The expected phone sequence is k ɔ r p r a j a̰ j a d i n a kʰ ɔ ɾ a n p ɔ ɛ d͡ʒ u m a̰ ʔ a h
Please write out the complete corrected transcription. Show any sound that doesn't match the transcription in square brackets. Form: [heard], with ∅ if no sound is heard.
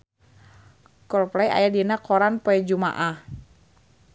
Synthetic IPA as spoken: k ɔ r p [l] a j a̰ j a d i n a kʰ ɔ ɾ a n p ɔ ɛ d͡ʒ u m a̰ ʔ a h